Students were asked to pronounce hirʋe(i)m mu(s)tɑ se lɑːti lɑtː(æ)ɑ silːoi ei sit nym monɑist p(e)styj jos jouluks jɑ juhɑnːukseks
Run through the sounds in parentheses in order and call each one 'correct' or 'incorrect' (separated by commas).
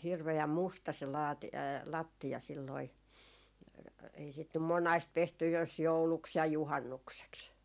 incorrect, correct, incorrect, correct